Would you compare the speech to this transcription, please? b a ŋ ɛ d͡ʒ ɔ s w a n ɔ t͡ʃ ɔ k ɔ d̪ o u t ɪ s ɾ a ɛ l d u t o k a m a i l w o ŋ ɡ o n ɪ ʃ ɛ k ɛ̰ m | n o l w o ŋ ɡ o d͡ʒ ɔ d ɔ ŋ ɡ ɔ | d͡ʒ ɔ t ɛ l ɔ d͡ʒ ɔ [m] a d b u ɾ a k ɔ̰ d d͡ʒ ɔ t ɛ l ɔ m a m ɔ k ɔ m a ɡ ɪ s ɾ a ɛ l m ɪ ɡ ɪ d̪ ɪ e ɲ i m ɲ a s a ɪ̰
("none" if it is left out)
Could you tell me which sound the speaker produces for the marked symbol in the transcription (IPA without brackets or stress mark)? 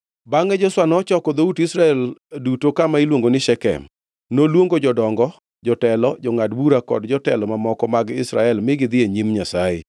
ŋ